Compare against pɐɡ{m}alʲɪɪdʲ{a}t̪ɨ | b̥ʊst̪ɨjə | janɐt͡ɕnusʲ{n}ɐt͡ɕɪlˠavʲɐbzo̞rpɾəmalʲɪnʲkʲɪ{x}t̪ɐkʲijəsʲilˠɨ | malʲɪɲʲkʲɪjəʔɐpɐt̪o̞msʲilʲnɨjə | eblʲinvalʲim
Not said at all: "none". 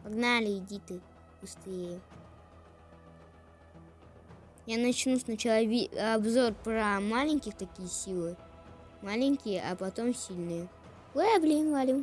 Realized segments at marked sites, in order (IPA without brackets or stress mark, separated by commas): n, i, n, x